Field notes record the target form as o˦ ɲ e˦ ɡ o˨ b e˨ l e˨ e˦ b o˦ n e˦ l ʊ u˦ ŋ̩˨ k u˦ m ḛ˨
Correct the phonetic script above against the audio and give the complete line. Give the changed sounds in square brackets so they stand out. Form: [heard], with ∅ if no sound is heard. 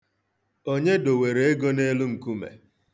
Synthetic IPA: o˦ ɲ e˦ [d] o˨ [w] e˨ [ɾ] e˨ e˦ [ɡ] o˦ n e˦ l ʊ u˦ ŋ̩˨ k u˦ m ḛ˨